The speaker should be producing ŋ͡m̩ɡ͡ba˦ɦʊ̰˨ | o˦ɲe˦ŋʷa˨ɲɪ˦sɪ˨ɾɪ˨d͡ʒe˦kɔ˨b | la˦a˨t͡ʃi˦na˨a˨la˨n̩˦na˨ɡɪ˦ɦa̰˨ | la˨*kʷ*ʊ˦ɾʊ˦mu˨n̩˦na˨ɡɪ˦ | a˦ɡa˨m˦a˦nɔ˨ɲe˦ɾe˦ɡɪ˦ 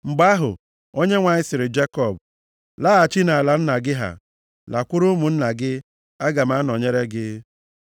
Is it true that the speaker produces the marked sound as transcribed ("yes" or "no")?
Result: yes